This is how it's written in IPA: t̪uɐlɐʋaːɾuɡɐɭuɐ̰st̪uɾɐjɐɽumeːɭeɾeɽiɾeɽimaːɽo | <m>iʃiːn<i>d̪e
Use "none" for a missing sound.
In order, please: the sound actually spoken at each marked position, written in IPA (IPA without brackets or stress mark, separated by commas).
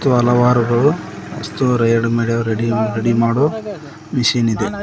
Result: m, i